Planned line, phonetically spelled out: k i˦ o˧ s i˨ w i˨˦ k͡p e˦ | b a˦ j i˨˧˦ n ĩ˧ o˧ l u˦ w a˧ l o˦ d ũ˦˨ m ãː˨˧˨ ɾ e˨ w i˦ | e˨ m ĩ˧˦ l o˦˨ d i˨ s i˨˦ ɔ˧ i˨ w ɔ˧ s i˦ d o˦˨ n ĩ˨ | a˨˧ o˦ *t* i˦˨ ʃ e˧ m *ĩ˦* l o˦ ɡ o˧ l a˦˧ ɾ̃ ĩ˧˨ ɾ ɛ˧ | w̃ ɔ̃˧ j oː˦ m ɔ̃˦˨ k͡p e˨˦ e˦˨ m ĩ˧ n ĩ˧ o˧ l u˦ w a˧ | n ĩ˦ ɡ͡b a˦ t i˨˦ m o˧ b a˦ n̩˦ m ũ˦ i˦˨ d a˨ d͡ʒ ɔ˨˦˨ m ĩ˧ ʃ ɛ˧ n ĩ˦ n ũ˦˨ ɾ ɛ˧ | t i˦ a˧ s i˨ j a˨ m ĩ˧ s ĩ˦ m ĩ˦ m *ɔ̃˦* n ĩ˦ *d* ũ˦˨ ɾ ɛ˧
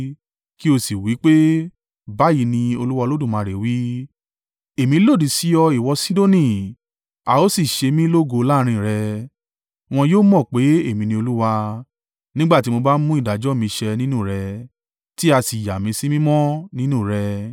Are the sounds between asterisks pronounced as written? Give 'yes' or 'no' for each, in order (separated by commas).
no, yes, yes, no